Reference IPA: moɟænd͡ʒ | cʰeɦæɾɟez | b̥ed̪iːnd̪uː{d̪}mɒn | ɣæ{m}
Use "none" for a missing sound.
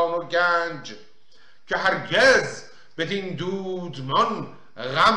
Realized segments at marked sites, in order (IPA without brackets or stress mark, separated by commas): d̪, m